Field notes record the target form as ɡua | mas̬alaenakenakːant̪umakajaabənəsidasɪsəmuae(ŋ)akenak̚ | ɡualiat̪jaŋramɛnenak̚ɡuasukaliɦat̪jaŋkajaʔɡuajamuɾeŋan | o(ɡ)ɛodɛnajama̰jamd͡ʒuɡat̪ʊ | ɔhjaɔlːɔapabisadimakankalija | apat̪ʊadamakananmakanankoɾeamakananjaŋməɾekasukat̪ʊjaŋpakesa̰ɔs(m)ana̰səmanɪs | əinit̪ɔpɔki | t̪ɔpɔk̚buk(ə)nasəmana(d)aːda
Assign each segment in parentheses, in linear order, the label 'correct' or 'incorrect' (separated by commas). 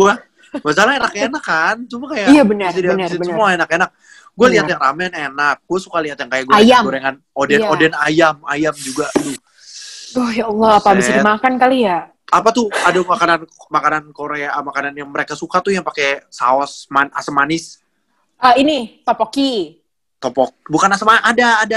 incorrect, incorrect, correct, incorrect, correct